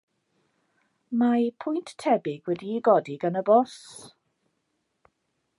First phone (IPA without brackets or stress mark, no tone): m